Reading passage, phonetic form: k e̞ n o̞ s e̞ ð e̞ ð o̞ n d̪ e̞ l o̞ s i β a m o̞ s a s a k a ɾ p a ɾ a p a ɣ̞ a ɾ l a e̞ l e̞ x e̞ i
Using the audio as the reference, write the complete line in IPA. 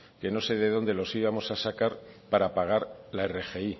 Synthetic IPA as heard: k e̞ n o̞ s e̞ ð e̞ ð o̞ n d̪ e̞ l o̞ s i β a m o̞ s a s a k a ɾ p a ɾ a p a ɣ̞ a ɾ l a e̞ r e̞ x e̞ i